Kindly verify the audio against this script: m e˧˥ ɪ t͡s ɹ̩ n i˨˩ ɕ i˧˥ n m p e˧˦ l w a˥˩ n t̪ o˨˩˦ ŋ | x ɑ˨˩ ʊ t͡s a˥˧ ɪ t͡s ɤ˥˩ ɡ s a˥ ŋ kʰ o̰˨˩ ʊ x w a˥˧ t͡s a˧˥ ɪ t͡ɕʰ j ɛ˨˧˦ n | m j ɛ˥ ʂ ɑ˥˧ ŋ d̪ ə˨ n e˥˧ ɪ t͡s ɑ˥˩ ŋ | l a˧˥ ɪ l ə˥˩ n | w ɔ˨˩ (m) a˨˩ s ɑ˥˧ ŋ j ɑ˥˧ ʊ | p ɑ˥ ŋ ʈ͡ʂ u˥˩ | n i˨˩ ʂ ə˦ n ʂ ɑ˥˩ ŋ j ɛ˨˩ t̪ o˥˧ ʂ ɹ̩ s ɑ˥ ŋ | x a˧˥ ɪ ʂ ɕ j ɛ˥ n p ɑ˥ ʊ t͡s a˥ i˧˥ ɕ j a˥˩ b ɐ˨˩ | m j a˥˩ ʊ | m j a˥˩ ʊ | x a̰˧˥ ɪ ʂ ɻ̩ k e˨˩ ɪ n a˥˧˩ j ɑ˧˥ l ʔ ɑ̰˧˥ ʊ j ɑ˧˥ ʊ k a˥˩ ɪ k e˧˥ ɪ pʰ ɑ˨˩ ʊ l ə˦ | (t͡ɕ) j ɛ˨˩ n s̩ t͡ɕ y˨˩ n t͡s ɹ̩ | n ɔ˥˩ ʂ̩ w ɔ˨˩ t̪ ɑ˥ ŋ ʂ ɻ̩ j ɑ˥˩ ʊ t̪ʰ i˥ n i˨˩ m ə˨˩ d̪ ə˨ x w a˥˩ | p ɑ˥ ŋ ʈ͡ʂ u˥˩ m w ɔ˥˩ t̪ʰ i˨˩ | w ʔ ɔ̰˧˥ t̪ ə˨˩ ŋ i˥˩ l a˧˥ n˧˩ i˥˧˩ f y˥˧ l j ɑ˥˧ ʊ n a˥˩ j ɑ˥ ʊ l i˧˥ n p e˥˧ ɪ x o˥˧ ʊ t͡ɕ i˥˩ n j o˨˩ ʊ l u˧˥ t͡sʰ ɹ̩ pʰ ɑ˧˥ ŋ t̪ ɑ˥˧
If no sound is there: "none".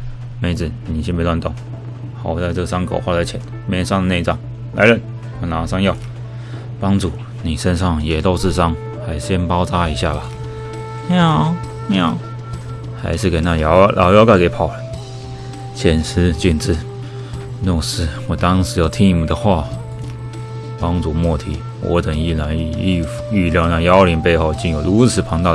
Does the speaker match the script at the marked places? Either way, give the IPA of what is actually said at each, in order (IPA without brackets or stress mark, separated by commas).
n, t͡ɕʰ